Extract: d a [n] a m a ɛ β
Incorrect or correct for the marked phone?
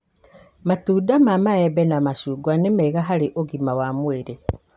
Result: incorrect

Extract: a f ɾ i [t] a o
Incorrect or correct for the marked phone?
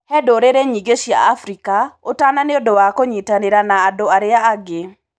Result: incorrect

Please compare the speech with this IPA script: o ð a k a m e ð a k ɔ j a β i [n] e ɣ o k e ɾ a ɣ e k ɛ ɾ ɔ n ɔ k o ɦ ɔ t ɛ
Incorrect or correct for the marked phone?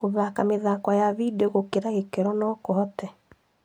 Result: incorrect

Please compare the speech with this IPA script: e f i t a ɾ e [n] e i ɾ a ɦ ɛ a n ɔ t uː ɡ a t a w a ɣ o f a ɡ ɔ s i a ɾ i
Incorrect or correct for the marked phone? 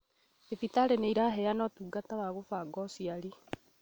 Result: correct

